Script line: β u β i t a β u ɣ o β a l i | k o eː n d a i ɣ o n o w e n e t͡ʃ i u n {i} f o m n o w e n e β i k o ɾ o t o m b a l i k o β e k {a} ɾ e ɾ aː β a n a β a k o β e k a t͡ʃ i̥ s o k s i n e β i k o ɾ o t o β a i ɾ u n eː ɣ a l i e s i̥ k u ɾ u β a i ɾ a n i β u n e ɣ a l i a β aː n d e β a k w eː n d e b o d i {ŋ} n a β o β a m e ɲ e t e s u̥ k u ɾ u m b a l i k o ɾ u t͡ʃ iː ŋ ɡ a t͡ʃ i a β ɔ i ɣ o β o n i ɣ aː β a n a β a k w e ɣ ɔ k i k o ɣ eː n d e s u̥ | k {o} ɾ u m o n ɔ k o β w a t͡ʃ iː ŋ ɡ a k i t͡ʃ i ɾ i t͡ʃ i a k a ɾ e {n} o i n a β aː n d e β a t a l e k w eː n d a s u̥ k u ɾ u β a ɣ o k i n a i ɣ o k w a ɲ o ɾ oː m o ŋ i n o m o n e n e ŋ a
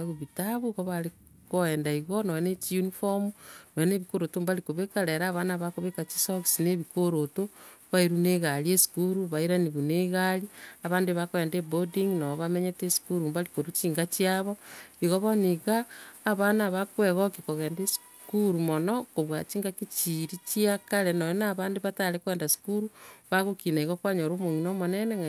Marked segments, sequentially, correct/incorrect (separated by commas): correct, correct, correct, incorrect, correct